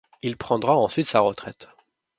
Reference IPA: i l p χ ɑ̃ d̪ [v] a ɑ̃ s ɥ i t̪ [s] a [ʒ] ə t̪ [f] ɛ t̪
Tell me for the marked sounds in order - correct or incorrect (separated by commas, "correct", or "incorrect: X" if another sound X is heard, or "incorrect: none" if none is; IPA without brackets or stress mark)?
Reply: incorrect: ʁ, correct, incorrect: ʁ, incorrect: χ